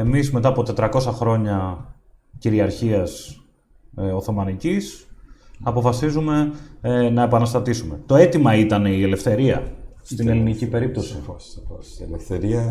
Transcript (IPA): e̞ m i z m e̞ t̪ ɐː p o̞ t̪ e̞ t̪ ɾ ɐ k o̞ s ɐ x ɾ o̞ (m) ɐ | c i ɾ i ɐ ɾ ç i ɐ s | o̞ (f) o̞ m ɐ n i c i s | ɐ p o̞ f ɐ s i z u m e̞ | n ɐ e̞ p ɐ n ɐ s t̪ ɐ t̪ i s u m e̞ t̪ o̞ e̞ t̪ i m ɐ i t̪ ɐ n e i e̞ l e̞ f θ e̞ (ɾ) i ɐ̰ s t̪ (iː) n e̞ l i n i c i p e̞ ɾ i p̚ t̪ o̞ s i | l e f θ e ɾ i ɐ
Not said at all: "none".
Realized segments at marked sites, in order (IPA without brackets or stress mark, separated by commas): ɲ, θ, ɾ, i